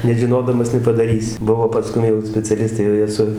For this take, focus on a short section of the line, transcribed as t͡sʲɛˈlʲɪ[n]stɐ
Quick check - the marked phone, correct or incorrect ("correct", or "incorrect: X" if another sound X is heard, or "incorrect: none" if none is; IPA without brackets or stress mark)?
incorrect: none